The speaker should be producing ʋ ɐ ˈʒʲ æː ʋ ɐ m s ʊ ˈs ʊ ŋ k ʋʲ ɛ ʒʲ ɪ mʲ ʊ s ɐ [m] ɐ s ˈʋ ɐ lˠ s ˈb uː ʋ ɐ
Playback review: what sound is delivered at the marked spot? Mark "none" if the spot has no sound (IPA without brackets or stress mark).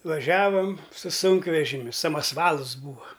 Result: m